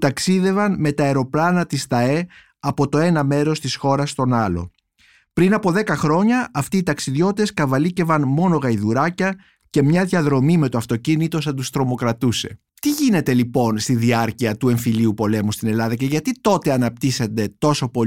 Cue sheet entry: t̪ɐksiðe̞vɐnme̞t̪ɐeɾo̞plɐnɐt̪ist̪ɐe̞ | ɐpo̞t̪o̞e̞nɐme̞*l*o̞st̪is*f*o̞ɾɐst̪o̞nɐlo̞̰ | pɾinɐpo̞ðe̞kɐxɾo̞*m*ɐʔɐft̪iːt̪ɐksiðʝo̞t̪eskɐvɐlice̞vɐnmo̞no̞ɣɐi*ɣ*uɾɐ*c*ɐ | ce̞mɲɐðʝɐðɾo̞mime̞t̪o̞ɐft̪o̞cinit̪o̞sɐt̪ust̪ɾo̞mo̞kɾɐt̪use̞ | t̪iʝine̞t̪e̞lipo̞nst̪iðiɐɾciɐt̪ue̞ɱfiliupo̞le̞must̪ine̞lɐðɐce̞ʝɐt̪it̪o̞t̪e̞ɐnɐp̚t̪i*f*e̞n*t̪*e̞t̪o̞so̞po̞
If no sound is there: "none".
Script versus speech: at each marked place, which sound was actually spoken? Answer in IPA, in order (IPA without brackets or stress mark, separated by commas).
ɾ, x, ɲ, ð, c, s, d̪